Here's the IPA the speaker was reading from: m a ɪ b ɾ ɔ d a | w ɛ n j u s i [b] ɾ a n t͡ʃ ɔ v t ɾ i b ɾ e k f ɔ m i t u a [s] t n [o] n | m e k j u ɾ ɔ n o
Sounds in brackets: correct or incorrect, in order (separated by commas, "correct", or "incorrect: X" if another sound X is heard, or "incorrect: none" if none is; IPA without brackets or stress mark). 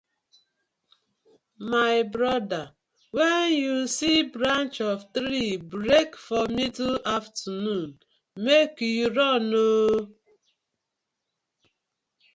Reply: correct, incorrect: f, incorrect: u